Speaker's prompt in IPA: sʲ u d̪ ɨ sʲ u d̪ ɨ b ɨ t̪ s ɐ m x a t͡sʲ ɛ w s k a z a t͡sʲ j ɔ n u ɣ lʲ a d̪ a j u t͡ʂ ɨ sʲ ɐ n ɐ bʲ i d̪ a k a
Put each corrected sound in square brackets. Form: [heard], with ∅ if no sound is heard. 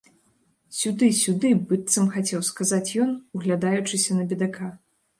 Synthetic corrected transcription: sʲ u d̪ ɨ sʲ u d̪ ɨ b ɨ t̪ s ɐ m x a t͡sʲ ɛ w s k a z a t͡sʲ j ɔ n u ɣ lʲ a d̪ a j u t͡ʂ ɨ sʲ ɐ n ɐ bʲ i d̪ a k a